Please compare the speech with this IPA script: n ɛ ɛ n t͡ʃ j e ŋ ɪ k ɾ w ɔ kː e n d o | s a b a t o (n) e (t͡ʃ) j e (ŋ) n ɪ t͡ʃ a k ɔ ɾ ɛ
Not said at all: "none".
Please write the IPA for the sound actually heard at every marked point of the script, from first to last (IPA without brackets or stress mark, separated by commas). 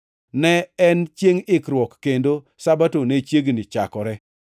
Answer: n, t͡ʃ, ɡ